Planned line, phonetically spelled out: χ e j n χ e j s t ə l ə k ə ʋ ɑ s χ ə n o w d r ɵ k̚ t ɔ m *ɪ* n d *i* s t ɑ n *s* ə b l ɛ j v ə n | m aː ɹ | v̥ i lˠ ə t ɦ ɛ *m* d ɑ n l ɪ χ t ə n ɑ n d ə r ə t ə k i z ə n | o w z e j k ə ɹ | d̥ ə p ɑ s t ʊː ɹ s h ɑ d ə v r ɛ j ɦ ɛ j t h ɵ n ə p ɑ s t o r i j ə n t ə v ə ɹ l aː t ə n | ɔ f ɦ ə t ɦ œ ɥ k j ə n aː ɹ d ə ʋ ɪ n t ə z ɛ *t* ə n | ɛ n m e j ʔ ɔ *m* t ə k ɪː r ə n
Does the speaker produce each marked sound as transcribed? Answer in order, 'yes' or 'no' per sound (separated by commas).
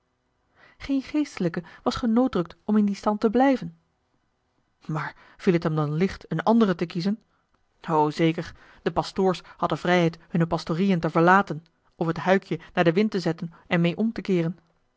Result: yes, yes, no, yes, yes, yes